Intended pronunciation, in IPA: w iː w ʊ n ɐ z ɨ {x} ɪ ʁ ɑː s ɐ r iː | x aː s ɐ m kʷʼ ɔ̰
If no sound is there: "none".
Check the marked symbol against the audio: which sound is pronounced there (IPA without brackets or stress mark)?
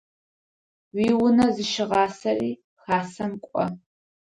ʃ